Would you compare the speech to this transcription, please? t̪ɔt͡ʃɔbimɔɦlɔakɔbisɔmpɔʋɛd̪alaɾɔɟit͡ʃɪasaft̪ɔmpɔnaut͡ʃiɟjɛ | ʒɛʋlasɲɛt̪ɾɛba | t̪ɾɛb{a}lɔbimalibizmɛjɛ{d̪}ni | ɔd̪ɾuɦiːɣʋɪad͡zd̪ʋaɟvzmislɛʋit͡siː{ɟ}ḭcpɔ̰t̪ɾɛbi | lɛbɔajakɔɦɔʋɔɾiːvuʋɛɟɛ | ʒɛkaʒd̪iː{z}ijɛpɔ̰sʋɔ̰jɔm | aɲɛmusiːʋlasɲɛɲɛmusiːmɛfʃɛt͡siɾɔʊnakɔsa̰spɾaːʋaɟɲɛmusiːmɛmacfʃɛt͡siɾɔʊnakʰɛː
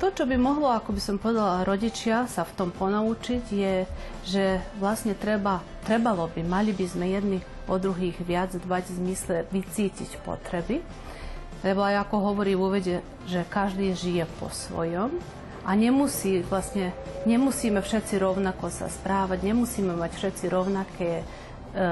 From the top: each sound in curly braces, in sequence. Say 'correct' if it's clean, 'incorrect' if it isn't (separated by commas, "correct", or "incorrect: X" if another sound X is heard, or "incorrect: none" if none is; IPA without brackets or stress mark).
correct, correct, incorrect: c, incorrect: ʒ